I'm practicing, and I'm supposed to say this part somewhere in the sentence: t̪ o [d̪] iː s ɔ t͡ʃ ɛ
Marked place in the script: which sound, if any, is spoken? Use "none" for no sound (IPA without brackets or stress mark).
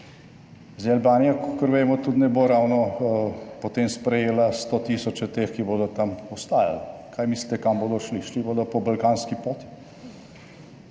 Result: t̪